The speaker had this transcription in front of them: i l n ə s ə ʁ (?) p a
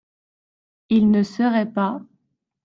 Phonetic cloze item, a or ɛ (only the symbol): ɛ